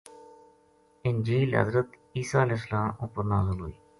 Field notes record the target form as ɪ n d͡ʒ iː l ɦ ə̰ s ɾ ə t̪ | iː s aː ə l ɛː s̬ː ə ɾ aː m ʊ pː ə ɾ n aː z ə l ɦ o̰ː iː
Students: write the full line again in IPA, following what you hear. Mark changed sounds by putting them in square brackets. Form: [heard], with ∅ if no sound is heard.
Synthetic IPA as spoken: ɪ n d͡ʒ iː l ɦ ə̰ [z] ɾ ə t̪ | iː s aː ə l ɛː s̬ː ə [l] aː m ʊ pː ə ɾ n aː z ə l ɦ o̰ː iː